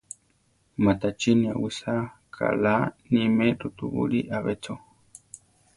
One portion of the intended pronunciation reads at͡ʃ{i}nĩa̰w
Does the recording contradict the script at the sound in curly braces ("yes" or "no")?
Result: no